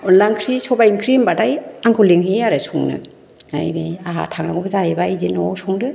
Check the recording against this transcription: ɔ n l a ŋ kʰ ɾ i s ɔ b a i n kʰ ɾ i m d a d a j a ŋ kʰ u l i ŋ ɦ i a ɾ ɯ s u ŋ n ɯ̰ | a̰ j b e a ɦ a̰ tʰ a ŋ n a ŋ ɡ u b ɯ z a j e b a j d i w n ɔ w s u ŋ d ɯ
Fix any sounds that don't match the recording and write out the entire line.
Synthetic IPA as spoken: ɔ n l a ŋ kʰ ɾ i s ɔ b a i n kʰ ɾ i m b a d a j a ŋ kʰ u l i ŋ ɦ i a ɾ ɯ s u ŋ n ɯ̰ | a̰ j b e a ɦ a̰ tʰ a ŋ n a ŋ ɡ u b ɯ z a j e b a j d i n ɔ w s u ŋ d ɯ